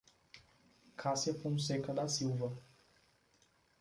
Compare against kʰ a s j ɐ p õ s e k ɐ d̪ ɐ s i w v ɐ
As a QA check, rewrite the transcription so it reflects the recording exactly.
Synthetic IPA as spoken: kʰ a s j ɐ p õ s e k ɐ d̪ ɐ s i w v ɐ